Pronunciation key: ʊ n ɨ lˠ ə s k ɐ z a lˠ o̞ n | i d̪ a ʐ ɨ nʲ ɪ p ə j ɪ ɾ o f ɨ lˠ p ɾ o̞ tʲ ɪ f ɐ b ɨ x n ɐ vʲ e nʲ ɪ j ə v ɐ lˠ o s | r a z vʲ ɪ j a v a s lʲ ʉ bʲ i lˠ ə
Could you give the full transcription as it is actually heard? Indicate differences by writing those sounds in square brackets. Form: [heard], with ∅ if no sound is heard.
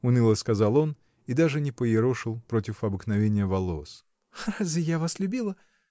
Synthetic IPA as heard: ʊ n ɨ lˠ ə s k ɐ z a lˠ o̞ n | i d̪ a ʐ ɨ nʲ ɪ p ə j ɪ ɾ o [ʂ] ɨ lˠ p ɾ o̞ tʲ ɪ f ɐ b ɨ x n ɐ vʲ e nʲ ɪ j ə v ɐ lˠ o s | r a z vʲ ɪ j a v a s lʲ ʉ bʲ i lˠ ə